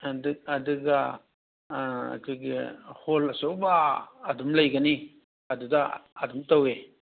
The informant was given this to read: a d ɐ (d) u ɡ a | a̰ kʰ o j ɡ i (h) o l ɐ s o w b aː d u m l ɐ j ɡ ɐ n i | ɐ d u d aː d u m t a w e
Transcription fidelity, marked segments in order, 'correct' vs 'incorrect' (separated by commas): correct, correct